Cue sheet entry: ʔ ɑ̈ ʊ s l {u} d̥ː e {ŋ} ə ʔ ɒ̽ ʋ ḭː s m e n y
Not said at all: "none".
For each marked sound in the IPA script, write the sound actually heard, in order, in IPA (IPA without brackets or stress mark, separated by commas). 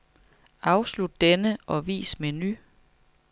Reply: u, n